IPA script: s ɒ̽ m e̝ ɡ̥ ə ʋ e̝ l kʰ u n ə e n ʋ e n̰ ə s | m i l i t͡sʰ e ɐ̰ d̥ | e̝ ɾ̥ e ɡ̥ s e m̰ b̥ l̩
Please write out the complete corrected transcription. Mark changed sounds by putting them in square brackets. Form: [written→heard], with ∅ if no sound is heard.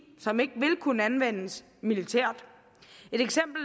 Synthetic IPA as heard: s ɒ̽ m e̝ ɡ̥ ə ʋ e̝ l kʰ u n ə [e→æ] n ʋ e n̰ ə s | m i l i t͡sʰ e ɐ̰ d̥ | e̝ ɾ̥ e ɡ̥ s e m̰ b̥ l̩